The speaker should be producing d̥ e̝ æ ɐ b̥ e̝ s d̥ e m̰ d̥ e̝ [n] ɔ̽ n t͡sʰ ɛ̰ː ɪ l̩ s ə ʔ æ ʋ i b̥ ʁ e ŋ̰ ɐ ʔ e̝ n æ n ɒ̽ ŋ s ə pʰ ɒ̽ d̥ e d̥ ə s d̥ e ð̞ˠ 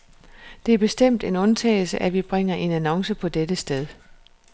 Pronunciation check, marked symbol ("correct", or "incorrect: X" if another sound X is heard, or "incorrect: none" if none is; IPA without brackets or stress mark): correct